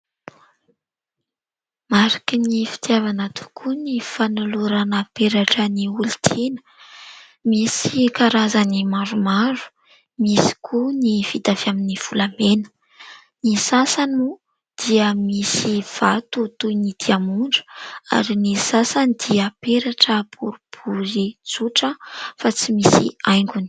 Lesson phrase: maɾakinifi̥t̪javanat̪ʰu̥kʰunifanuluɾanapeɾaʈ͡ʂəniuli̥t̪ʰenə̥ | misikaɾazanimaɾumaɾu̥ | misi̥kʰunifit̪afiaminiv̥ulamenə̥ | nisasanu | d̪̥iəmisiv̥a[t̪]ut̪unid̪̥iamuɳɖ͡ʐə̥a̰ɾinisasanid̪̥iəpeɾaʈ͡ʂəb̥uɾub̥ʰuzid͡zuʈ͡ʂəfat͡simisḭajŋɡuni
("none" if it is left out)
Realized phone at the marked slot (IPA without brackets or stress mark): t̪